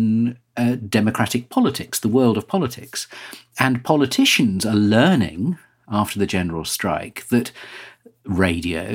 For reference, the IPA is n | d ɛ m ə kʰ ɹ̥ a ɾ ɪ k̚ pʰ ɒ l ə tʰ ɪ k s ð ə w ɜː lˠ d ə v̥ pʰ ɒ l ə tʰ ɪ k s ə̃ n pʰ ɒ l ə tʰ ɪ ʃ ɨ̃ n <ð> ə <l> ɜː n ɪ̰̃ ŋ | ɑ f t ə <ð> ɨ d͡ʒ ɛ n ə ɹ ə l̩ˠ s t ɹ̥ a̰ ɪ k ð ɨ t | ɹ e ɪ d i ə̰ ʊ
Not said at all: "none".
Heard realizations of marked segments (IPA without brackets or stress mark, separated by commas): z, l, ð